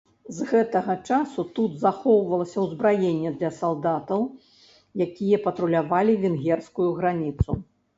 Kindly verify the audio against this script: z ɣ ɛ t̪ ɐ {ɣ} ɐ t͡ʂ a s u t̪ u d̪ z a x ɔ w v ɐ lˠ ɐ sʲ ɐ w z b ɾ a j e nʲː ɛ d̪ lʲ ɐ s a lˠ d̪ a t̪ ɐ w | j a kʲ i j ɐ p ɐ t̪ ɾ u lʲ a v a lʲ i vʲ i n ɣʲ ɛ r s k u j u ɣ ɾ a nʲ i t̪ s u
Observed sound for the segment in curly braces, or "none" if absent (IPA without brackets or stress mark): ɣ